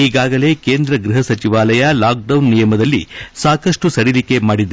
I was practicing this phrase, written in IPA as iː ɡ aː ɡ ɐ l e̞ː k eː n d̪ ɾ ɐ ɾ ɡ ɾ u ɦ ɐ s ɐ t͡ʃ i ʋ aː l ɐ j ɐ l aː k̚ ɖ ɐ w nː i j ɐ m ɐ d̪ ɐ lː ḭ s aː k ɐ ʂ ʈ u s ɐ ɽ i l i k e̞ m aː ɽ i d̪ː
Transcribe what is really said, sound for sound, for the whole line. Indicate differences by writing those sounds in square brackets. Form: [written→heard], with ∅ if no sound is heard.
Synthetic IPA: iː ɡ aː ɡ ɐ l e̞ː k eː n d̪ ɾ ɐ [ɾ→∅] ɡ ɾ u ɦ ɐ s ɐ t͡ʃ i ʋ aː l ɐ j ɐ l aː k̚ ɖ ɐ w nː i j ɐ m ɐ d̪ ɐ lː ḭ s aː k ɐ ʂ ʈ u s ɐ ɽ i l i k e̞ m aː ɽ i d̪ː